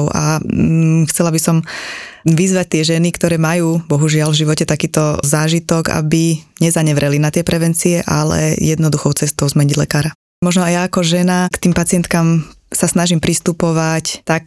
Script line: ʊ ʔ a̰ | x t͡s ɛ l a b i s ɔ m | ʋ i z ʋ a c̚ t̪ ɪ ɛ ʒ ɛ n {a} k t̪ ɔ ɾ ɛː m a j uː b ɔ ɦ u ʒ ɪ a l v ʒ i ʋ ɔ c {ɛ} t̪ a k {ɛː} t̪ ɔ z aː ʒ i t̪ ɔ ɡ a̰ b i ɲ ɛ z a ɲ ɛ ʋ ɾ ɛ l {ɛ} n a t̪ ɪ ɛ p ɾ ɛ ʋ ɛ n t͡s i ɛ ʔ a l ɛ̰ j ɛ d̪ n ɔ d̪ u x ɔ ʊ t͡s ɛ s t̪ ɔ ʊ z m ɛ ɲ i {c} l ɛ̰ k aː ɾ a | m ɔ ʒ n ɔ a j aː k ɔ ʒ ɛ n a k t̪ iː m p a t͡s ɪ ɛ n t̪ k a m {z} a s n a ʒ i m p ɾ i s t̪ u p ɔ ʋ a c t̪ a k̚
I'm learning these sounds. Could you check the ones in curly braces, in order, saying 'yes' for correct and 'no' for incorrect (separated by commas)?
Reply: no, yes, no, no, no, no